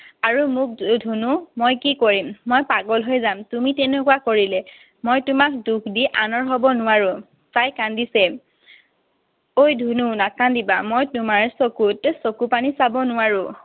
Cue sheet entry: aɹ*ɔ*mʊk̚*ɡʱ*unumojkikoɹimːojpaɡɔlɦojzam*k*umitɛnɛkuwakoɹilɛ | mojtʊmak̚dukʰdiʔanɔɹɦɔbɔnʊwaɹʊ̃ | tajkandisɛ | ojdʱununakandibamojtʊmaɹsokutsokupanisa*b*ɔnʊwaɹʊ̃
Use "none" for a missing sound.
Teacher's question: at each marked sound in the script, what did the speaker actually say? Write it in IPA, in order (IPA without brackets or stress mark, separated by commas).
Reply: u, dʱ, t, b